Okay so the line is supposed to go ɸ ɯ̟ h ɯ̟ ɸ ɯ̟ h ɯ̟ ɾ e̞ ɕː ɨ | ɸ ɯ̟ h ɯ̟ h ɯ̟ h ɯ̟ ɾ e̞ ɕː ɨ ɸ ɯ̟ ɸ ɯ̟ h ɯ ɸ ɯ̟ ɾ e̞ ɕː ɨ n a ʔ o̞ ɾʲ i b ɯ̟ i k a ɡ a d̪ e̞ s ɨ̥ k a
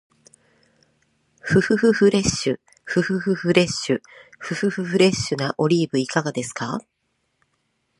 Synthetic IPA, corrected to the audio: ɸ ɯ̟ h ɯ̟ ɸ ɯ̟ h ɯ̟ ɾ e̞ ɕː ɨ | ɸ ɯ̟ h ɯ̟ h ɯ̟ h ɯ̟ ɾ e̞ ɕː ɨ ɸ ɯ̟ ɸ ɯ̟ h ɯ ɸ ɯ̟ ɾ e̞ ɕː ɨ n a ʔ o̞ ɾʲ iː b ɯ̟ i k a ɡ a d̪ e̞ s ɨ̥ k a